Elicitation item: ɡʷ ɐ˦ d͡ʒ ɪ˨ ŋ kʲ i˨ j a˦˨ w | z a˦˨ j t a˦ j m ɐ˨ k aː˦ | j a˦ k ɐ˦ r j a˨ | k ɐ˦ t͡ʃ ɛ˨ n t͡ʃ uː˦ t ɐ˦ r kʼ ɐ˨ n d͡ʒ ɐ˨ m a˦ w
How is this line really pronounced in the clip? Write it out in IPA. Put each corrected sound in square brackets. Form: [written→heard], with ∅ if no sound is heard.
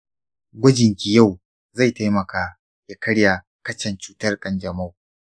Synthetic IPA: ɡʷ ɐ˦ d͡ʒ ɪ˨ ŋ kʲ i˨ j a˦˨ w | z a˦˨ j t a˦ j m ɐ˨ k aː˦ | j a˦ k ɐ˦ [r→ɽ] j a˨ | k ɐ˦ t͡ʃ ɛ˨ n t͡ʃ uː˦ t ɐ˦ r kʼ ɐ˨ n d͡ʒ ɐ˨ m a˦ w